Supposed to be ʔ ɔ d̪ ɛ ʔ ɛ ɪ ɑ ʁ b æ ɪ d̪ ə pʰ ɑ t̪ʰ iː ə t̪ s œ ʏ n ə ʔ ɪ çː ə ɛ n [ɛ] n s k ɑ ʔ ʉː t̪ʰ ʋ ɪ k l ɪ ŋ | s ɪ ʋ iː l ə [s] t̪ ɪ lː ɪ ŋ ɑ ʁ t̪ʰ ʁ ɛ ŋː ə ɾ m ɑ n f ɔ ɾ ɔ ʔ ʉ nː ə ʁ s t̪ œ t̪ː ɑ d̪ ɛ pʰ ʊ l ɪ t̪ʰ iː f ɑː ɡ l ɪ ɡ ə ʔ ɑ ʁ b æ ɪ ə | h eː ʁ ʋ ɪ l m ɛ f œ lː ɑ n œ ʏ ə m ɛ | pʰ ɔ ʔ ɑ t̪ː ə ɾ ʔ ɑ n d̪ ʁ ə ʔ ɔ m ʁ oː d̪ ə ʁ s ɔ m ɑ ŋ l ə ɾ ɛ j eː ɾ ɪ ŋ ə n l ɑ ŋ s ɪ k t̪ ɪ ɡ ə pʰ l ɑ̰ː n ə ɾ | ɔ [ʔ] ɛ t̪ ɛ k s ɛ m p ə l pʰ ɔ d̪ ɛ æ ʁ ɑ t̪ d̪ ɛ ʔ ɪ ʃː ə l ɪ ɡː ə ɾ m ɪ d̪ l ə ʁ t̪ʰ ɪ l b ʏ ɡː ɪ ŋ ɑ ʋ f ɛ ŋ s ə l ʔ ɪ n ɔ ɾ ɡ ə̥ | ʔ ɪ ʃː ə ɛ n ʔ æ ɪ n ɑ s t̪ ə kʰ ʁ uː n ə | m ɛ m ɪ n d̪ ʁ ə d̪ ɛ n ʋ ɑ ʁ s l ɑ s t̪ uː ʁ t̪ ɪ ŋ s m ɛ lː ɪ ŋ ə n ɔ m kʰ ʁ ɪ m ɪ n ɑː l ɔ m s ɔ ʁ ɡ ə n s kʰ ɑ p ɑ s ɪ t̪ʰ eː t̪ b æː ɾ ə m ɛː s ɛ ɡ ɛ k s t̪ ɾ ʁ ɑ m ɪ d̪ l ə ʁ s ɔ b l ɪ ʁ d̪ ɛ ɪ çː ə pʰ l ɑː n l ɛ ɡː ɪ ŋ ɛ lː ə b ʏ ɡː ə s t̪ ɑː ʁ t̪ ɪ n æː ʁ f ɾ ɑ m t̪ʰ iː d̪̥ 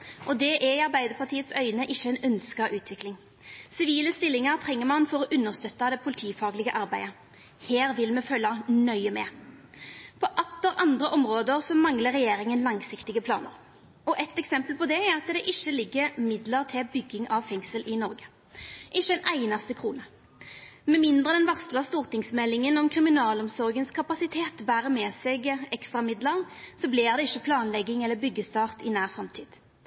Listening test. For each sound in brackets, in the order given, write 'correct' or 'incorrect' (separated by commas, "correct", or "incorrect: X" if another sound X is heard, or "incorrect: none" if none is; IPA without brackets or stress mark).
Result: incorrect: œ, correct, correct